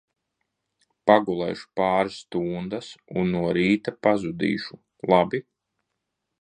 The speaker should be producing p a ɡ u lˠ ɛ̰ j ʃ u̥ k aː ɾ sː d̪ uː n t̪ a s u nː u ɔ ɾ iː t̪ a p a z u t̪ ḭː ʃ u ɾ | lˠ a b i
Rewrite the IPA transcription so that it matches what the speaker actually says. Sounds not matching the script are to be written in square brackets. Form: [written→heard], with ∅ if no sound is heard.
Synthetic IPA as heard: p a ɡ u lˠ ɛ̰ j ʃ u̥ [k→p] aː ɾ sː [d̪→t̪] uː n [t̪→d̪] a s u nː u ɔ ɾ iː t̪ a p a z u [t̪→d̪] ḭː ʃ u [ɾ→∅] | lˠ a b i